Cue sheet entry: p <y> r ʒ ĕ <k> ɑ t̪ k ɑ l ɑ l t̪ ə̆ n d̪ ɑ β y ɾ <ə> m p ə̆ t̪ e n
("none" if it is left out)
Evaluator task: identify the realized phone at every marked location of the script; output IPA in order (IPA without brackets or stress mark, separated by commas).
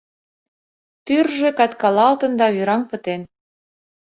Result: y, k, ɑ